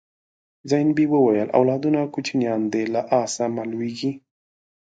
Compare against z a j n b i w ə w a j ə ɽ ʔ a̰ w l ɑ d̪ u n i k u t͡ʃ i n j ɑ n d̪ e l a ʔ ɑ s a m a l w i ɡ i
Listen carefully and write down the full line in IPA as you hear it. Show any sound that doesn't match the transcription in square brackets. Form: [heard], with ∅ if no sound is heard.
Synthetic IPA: z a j n b i w ə w a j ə [l] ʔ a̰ w l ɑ d̪ u n [a] k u t͡ʃ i n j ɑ n d̪ e l a ʔ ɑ s a m a l w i ɡ i